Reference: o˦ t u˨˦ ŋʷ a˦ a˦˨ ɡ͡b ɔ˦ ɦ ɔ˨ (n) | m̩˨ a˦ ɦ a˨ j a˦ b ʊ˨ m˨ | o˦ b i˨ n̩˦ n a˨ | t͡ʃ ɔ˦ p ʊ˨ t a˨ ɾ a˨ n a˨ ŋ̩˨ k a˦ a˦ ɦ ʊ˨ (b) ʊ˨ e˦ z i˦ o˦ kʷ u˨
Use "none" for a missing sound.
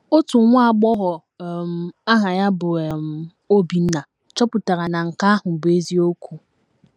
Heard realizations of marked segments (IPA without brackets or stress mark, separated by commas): none, b